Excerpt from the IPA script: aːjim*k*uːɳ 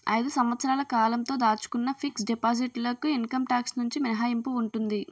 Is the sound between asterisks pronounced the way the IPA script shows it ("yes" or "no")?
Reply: no